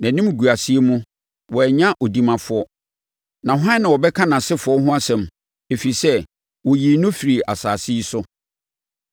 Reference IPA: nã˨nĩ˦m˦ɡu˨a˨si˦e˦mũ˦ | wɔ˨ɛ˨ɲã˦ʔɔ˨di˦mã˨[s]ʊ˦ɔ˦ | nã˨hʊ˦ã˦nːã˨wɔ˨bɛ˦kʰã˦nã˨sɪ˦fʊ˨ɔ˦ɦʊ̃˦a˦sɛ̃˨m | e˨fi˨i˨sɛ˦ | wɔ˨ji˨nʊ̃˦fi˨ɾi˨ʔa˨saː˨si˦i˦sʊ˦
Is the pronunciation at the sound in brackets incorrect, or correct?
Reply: incorrect